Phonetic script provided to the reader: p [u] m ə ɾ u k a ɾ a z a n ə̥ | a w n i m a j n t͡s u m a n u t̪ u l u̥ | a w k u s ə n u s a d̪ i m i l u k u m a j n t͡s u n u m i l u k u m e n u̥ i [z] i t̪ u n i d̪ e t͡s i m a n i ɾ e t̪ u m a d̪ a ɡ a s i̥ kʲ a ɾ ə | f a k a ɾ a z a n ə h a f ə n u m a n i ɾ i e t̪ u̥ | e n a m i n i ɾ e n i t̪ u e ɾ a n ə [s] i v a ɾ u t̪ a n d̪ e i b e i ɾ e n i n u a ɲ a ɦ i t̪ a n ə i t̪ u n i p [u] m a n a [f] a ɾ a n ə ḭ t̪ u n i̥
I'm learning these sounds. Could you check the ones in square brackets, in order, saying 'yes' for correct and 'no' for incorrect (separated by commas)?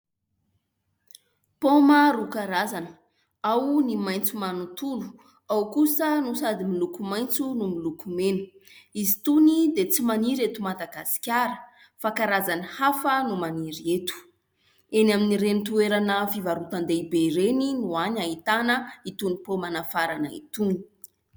no, yes, no, no, yes